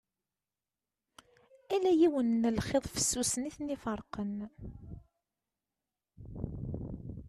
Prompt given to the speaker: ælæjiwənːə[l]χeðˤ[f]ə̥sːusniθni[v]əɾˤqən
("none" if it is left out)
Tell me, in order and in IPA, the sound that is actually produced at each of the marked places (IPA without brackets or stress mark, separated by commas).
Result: l, f, f